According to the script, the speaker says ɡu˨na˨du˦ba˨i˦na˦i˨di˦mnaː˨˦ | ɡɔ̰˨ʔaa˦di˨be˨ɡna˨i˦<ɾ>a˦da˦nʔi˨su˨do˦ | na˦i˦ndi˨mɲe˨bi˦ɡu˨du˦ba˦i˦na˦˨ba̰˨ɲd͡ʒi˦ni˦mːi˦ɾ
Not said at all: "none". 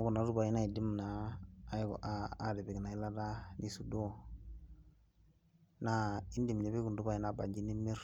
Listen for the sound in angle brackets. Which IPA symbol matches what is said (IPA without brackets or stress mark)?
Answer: l